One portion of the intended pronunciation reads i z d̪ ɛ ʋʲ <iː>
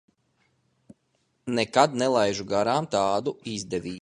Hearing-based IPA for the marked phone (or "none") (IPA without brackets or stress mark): iː